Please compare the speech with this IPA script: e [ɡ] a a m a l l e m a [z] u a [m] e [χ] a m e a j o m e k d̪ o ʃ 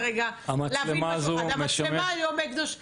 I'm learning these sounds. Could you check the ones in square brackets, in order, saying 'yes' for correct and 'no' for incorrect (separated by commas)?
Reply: yes, yes, yes, no